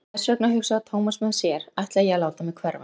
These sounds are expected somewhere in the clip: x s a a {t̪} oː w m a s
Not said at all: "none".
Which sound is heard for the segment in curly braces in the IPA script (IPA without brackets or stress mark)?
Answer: t̪ʰ